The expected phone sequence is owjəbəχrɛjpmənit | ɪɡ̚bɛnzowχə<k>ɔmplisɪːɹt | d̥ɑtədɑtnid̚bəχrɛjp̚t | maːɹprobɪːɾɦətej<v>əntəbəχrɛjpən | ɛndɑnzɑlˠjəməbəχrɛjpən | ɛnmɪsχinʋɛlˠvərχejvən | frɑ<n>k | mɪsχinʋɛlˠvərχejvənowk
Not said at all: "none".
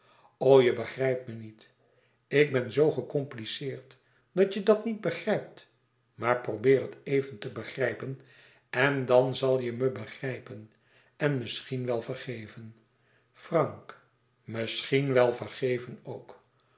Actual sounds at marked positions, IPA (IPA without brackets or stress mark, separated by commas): k, v, ŋ